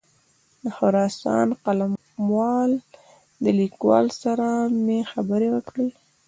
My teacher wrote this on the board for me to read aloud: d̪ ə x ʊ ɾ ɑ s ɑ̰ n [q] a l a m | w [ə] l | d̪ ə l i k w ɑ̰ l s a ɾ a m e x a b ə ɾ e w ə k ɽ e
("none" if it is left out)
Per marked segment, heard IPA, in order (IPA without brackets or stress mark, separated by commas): q, ɑ